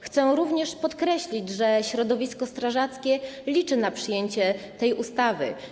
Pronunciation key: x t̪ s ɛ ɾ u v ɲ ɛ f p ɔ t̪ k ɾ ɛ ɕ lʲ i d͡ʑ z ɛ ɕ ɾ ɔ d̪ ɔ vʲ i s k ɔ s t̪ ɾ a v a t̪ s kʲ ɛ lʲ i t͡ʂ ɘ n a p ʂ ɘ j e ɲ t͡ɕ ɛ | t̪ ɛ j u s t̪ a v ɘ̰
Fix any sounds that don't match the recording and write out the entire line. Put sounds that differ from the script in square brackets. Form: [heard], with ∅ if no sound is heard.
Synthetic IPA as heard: x t̪ s ɛ ɾ u v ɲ ɛ [ʂ] p ɔ t̪ k ɾ ɛ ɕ lʲ i d͡ʑ [ʐ] ɛ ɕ ɾ ɔ d̪ ɔ vʲ i s k ɔ s t̪ ɾ a [ʐ] a t̪ s kʲ ɛ lʲ i t͡ʂ ɘ n a p ʂ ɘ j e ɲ t͡ɕ ɛ | t̪ ɛ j u s t̪ a v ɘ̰